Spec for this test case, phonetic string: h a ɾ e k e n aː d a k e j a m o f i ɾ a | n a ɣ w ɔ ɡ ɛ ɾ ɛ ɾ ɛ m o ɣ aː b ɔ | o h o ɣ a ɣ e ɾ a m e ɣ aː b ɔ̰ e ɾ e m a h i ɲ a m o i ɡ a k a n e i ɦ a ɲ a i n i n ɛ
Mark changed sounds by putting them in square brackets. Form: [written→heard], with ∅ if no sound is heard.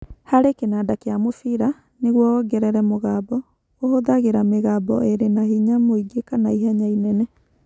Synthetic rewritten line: h a ɾ e k e n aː d a k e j a m o f i ɾ a | n [a→e] ɣ w ɔ ɡ ɛ ɾ ɛ ɾ ɛ m o ɣ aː b ɔ | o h o [ɣ→ð] a ɣ e ɾ a m e ɣ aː b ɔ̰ e ɾ e [m→n] a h i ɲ a m o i ɡ [a→e] k a n [e→a] i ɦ a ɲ a i n [i→ɛ] n ɛ